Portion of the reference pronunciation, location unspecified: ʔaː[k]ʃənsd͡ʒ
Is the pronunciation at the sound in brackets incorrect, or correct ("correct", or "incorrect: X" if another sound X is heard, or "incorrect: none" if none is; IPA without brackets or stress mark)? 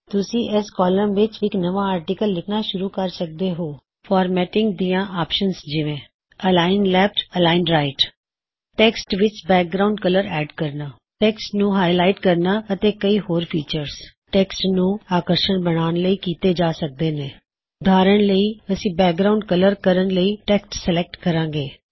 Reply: incorrect: p